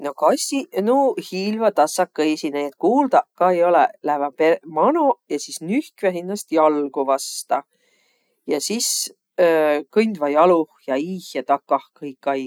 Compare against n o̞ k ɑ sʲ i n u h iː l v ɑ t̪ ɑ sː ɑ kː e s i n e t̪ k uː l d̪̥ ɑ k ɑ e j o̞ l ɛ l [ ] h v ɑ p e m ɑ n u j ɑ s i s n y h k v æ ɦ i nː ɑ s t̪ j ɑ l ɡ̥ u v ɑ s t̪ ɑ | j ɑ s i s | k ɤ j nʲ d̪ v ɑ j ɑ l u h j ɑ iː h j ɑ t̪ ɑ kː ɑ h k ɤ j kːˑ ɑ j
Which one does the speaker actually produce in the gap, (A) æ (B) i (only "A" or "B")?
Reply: A